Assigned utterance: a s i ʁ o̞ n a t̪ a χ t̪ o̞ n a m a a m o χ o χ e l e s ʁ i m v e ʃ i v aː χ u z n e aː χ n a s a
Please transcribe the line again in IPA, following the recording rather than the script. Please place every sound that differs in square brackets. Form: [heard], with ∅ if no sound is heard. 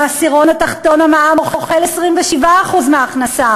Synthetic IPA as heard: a s i ʁ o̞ n a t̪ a χ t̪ o̞ n a m a a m o χ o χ e l e s ʁ i m v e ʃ i v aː χ u z [m] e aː χ n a s a